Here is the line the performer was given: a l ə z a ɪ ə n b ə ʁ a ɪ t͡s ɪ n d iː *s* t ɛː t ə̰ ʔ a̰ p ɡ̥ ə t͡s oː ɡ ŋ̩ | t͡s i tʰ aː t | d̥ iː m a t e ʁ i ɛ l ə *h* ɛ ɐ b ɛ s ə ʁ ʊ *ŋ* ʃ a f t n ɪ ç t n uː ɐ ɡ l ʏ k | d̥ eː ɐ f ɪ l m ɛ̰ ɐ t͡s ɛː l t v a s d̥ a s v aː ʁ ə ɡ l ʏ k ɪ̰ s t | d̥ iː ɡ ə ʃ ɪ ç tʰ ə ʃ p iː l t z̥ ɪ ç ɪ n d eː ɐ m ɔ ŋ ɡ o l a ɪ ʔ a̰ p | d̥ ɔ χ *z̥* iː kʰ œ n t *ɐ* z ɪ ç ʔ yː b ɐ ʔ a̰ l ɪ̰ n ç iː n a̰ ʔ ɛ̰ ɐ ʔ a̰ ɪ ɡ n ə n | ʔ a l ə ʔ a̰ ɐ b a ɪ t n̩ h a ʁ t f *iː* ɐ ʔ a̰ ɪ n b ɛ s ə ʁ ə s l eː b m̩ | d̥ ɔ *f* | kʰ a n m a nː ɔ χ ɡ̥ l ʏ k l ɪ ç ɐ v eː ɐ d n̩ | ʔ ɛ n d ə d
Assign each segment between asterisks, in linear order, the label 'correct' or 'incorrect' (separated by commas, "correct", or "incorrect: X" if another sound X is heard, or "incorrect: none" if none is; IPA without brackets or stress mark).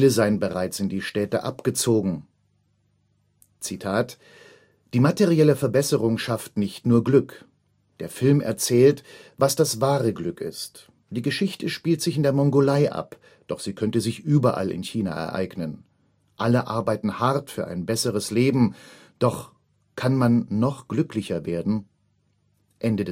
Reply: incorrect: ʃ, incorrect: f, correct, correct, incorrect: ə, incorrect: yː, incorrect: χ